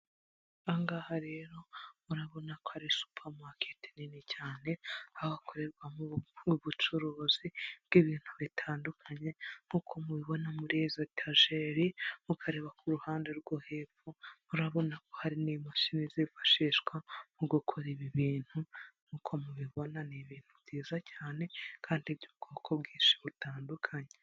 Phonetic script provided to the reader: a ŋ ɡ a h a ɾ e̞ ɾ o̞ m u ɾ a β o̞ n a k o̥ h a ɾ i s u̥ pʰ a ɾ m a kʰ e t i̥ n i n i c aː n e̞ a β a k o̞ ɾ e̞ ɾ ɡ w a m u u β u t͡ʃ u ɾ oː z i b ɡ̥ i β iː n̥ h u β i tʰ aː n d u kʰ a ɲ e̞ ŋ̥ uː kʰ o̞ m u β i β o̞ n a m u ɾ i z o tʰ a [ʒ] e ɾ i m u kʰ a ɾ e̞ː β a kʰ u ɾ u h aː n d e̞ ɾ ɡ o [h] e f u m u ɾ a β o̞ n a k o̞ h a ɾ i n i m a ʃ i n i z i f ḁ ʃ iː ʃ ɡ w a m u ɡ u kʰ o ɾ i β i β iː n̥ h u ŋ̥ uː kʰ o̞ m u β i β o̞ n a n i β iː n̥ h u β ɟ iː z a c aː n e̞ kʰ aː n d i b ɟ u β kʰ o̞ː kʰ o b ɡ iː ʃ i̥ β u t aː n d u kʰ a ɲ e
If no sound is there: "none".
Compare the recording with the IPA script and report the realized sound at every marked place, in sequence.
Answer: ʒ, h

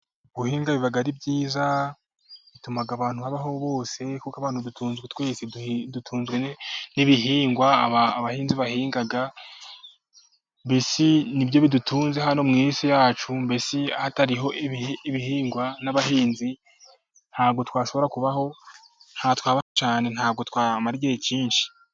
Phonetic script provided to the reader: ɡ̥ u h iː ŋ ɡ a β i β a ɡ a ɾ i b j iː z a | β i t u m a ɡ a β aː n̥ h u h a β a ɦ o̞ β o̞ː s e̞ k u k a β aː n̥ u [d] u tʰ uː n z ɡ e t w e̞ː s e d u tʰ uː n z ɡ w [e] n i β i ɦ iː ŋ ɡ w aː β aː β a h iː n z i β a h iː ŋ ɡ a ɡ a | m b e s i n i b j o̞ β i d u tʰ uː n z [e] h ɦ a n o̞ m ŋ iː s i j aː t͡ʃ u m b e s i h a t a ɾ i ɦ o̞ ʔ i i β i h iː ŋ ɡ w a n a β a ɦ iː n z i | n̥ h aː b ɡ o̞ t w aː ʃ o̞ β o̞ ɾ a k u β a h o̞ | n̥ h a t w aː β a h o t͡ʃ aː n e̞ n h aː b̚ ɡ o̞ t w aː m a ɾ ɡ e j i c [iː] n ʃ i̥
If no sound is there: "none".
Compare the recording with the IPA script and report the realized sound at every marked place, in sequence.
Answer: d, e, e, iː

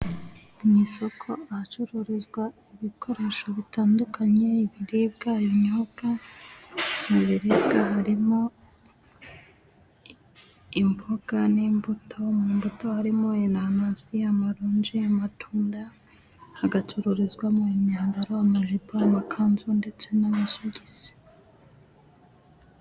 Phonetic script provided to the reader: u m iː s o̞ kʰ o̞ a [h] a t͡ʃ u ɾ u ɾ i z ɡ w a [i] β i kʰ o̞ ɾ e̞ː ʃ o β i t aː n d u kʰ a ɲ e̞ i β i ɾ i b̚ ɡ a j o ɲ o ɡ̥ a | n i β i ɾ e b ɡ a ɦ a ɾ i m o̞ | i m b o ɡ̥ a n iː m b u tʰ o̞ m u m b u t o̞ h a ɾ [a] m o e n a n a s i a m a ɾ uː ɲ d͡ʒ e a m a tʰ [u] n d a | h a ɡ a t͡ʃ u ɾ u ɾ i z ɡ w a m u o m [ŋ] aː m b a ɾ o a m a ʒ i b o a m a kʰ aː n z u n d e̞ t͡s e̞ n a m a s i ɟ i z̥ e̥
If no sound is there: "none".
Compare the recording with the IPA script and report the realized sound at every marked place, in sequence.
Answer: h, i, i, uː, ɲ

